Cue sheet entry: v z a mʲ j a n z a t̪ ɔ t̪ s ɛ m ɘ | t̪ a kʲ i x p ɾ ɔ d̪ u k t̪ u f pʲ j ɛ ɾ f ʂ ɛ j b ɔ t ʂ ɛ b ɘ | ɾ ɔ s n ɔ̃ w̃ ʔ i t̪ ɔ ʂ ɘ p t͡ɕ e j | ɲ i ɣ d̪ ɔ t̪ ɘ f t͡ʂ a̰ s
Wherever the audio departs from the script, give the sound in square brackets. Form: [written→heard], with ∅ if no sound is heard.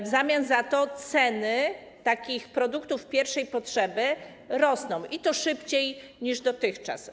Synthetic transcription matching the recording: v z a mʲ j a n z a t̪ ɔ t̪ s ɛ [m→n] ɘ | t̪ a kʲ i x p ɾ ɔ d̪ u k t̪ u f pʲ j ɛ ɾ f ʂ ɛ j [b→p] ɔ t ʂ ɛ b ɘ | ɾ ɔ s n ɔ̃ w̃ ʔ i t̪ ɔ ʂ ɘ p t͡ɕ e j | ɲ i [ɣ→ʐ] d̪ ɔ t̪ ɘ [f→x] t͡ʂ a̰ s